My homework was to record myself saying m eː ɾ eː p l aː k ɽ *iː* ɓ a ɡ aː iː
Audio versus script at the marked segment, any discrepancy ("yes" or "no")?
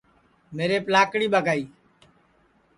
no